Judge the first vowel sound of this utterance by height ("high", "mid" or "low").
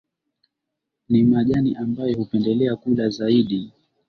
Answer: high